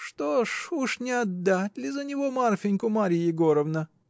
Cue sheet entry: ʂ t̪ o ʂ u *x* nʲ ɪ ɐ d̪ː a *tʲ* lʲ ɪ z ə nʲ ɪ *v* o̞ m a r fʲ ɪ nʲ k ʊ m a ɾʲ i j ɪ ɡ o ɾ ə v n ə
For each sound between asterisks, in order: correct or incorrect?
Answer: incorrect: ʂ, correct, correct

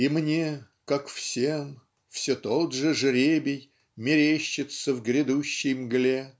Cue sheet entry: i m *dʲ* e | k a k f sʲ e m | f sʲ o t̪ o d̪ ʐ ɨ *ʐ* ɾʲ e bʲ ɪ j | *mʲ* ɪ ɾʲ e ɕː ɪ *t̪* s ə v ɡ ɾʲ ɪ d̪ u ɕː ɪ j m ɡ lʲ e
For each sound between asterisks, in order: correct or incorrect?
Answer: incorrect: nʲ, correct, correct, correct

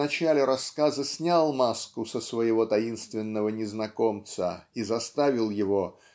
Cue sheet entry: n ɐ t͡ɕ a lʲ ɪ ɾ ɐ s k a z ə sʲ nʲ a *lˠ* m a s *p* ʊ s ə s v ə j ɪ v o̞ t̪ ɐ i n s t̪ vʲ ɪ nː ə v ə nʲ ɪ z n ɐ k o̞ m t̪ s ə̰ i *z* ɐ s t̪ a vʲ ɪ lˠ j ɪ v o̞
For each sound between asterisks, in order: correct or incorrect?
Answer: correct, incorrect: k, correct

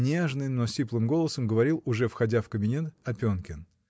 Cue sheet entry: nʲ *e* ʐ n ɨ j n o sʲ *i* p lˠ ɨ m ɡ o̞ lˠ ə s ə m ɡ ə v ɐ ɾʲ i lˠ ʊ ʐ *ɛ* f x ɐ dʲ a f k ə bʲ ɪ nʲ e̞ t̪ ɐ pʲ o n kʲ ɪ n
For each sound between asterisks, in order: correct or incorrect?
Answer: correct, correct, correct

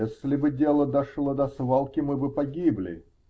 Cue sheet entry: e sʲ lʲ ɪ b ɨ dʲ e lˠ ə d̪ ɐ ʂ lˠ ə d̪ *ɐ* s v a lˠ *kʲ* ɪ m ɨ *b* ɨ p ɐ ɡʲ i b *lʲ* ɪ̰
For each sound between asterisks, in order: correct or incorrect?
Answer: correct, correct, correct, correct

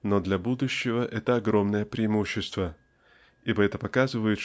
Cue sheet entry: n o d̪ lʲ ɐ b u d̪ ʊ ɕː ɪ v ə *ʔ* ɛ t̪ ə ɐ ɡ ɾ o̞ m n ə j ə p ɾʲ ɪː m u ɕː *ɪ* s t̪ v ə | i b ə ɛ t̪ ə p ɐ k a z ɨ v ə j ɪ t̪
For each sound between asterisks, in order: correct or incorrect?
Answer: correct, correct

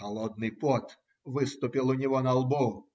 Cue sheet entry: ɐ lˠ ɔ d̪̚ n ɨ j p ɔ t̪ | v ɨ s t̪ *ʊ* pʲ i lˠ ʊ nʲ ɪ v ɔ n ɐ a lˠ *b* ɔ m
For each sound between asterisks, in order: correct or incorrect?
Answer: correct, correct

